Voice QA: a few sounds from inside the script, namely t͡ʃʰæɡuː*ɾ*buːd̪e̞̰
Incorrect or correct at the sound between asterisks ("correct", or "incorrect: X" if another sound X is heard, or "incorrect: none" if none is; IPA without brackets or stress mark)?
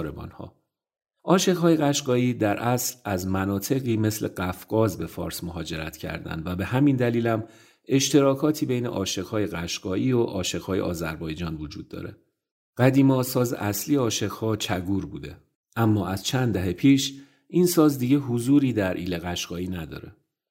correct